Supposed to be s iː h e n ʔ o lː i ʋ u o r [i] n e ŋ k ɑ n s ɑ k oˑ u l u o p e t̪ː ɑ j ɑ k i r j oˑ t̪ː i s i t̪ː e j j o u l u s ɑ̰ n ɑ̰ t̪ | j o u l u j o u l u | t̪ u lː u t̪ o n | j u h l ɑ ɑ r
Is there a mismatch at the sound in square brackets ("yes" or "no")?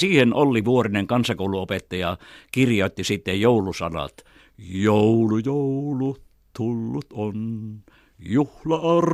no